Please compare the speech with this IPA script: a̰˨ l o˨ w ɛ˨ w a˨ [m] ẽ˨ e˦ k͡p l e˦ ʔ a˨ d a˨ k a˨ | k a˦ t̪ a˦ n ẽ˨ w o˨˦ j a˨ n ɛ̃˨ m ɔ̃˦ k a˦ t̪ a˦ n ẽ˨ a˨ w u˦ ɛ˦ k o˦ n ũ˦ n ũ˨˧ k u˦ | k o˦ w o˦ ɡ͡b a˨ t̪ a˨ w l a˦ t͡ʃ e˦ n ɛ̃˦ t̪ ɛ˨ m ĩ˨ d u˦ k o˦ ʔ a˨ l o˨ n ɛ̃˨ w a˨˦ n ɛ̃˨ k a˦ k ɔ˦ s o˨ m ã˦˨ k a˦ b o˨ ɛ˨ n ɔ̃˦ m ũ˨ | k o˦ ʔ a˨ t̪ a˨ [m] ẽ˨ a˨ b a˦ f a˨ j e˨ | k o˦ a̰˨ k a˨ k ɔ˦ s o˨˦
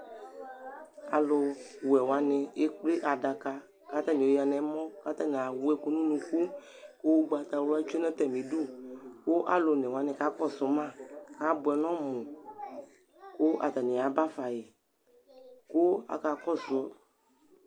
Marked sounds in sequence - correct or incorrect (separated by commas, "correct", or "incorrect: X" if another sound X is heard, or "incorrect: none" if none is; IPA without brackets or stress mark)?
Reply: incorrect: n, incorrect: n